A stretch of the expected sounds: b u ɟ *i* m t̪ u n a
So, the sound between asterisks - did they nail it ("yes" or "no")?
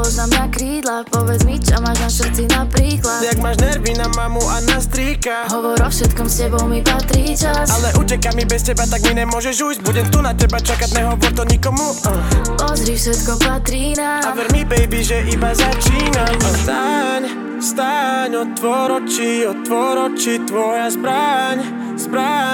no